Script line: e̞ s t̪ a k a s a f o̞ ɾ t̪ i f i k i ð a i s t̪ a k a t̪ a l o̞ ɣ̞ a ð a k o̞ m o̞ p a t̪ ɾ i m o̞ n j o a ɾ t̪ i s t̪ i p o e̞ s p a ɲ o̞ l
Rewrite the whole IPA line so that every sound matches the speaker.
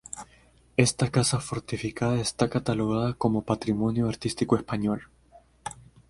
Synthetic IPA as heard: e̞ s t̪ a k a s a f o̞ ɾ t̪ i f i k a ð a e s t̪ a k a t̪ a l o̞ ɣ̞ a ð a k o̞ m o̞ p a t̪ ɾ i m o̞ n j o a ɾ t̪ i s t̪ i k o e̞ s p a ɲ o̞ l